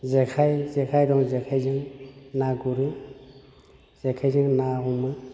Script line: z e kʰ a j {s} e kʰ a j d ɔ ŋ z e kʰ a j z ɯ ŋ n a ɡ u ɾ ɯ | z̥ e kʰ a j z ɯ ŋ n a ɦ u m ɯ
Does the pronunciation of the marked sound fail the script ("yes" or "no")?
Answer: yes